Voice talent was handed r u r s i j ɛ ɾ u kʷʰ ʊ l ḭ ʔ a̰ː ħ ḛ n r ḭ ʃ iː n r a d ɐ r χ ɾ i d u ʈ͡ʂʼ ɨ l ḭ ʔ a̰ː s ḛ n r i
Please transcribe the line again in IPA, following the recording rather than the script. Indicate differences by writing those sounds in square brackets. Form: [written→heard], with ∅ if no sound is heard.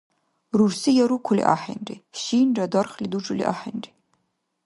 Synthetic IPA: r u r s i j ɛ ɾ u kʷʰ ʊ l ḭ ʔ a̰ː ħ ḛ n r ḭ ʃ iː n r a d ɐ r χ [ɾ→l] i d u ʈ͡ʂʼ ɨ l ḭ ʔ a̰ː [s→ħ] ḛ n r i